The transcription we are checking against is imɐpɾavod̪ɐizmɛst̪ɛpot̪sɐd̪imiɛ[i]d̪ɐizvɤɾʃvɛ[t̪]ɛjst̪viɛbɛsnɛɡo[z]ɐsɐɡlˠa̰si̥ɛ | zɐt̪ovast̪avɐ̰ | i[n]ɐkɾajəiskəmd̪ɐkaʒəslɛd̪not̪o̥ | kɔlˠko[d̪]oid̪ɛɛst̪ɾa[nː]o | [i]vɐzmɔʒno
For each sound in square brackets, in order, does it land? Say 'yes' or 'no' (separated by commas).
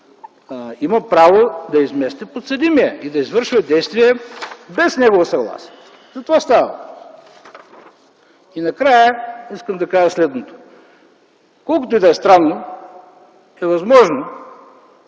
yes, no, no, yes, no, yes, no